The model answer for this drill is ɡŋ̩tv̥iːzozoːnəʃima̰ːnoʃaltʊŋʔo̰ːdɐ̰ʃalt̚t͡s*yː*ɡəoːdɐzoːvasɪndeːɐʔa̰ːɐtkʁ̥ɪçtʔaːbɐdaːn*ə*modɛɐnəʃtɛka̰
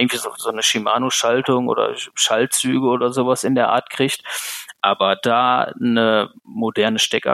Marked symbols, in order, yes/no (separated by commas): yes, yes